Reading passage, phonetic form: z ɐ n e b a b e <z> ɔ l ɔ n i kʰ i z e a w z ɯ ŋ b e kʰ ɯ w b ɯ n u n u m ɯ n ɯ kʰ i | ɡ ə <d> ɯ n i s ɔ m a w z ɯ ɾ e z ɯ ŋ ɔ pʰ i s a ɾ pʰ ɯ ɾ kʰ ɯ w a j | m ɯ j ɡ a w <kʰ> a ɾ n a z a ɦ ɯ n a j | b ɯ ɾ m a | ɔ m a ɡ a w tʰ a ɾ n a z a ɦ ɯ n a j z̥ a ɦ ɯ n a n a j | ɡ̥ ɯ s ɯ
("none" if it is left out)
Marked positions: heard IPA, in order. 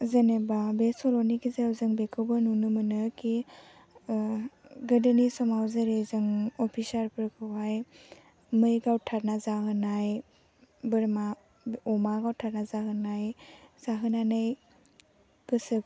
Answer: s, d, tʰ

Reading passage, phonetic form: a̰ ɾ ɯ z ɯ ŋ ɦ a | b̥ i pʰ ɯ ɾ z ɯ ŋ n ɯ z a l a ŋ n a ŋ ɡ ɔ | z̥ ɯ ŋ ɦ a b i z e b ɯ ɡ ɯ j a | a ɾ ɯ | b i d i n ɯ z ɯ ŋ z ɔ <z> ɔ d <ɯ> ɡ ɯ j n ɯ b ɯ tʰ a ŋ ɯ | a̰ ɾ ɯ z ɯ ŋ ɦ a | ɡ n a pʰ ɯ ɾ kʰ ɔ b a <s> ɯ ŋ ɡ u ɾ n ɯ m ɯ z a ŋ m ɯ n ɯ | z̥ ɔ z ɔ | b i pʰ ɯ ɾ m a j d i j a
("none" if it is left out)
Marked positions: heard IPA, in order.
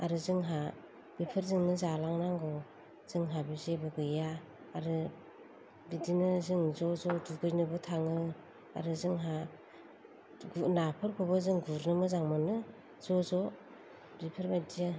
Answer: z, u, z

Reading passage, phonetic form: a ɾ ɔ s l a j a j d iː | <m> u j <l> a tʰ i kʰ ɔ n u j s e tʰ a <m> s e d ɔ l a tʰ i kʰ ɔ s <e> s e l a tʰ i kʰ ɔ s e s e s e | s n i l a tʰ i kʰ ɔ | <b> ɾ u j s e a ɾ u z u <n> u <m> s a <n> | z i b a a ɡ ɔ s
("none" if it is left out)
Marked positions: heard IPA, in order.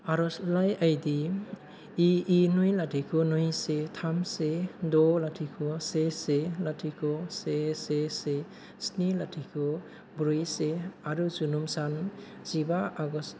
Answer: n, l, m, e, b, n, m, n

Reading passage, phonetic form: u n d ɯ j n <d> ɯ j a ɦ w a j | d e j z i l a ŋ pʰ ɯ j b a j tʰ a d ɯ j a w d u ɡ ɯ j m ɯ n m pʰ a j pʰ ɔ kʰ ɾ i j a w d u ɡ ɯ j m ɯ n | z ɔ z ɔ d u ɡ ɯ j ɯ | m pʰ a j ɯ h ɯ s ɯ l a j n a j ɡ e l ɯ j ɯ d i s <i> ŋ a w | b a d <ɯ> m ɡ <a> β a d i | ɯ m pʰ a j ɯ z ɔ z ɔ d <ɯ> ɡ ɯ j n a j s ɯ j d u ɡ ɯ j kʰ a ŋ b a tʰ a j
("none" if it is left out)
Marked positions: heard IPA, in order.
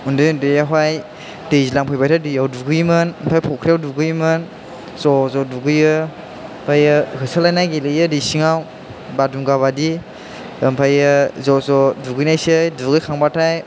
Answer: d, i, u, a, u

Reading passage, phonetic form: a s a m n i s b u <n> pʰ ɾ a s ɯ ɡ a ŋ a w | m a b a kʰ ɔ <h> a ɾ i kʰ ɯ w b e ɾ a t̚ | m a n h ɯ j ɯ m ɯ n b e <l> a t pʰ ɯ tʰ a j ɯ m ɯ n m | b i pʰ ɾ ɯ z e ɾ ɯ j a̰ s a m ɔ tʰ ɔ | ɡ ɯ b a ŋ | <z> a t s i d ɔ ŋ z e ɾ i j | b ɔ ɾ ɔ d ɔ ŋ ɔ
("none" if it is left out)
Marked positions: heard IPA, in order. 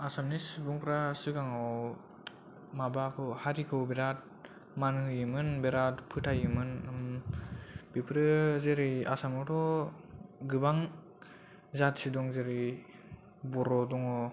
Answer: ŋ, h, ɾ, z

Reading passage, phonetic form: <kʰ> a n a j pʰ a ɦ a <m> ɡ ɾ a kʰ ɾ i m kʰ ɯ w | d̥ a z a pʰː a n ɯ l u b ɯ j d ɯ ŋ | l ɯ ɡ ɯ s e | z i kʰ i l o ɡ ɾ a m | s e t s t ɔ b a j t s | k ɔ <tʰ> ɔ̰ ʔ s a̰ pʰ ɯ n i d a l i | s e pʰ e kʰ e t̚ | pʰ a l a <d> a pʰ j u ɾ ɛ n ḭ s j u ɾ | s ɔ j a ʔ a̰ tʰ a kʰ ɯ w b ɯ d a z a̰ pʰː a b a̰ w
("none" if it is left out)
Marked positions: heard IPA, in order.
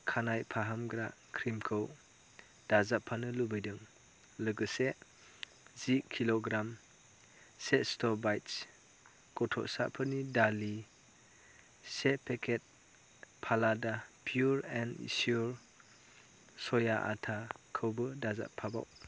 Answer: kʰ, m, tʰ, d

